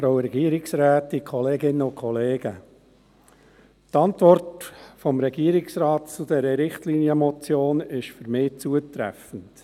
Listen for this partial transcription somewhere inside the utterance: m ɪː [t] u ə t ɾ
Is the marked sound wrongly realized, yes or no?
yes